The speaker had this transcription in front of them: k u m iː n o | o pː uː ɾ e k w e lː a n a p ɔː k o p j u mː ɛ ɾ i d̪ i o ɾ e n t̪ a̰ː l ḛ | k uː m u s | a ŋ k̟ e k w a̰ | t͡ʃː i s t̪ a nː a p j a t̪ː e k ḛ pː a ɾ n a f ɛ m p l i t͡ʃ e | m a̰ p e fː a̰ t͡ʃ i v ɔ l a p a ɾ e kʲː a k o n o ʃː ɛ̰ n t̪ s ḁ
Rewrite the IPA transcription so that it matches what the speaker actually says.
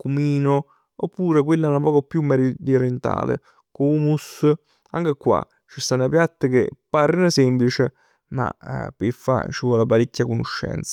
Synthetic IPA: k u m iː n o | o pː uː ɾ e k w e lː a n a p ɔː k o p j u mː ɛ ɾ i d̪ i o ɾ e n t̪ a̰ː l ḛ | k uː m u s | a ŋ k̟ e k w a̰ | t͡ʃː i s t̪ a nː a p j a t̪ː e k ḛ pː a ɾ n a s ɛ m p l i t͡ʃ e | m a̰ p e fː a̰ t͡ʃ i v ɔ l a p a ɾ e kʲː a k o n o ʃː ɛ̰ n t̪ s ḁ